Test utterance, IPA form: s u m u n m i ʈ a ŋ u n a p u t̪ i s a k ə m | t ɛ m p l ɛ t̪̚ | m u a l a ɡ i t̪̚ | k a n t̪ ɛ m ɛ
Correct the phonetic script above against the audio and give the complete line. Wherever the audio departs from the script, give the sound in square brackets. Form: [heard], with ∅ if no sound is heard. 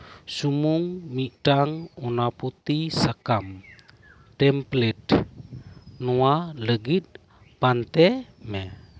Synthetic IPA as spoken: s u m u [ŋ] m i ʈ a ŋ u n a p u t̪ i s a k [a] m | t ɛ m p l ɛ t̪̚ | [n] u a l [ə] ɡ i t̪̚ | [p] a n t̪ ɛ m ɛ

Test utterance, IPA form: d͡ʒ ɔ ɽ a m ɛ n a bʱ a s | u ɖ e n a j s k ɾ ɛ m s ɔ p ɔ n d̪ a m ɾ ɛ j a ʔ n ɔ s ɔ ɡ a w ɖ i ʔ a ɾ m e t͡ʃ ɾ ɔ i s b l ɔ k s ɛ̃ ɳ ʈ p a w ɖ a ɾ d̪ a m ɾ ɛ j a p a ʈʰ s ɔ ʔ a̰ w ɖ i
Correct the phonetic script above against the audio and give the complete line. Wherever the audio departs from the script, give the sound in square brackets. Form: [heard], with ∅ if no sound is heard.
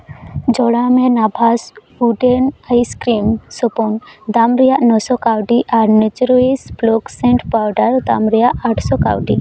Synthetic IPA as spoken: d͡ʒ ɔ ɽ a m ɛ n a bʱ a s | u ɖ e n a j s k ɾ [i] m s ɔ p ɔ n d̪ a m ɾ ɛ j a ʔ n ɔ s ɔ [k] a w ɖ i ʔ a ɾ [n] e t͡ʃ ɾ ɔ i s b l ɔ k s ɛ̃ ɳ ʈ p a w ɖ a ɾ d̪ a m ɾ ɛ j a [ʔ] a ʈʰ s ɔ [k] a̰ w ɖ i

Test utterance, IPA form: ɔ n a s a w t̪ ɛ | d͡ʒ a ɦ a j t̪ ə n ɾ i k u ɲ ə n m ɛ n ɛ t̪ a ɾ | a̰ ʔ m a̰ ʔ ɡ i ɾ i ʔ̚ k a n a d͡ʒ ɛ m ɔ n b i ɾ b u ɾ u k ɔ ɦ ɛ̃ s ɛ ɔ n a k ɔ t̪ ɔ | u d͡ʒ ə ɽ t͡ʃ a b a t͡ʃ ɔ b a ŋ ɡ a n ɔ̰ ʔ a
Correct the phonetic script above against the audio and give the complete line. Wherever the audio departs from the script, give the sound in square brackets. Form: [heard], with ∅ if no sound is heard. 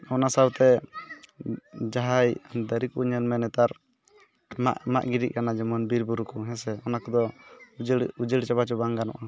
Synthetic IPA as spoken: ɔ n a s a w t̪ ɛ | d͡ʒ a ɦ a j [d̪] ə [∅] ɾ i k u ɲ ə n m ɛ n ɛ t̪ a ɾ | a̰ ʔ m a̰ ʔ ɡ i ɾ i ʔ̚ k a n a d͡ʒ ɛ m ɔ n b i ɾ b u ɾ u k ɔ ɦ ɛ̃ s ɛ ɔ n a k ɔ [d̪] ɔ | u d͡ʒ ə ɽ t͡ʃ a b a t͡ʃ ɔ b a ŋ ɡ a n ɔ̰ ʔ a

